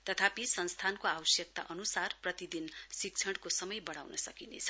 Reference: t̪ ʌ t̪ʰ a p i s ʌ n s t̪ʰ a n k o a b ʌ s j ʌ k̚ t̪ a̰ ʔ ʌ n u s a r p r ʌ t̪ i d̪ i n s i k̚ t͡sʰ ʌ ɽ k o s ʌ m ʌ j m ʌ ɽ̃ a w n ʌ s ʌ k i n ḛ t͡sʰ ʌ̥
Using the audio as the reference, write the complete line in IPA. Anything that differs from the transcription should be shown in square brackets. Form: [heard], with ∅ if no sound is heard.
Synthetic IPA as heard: t̪ ʌ t̪ʰ a p i s ʌ n s t̪ʰ a n k o a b ʌ s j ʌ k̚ t̪ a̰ ʔ ʌ n u s a r p r ʌ t̪ i d̪ i n s i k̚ t͡sʰ ʌ ɽ k o s ʌ m ʌ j [b] ʌ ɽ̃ a w n ʌ s ʌ k i n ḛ t͡sʰ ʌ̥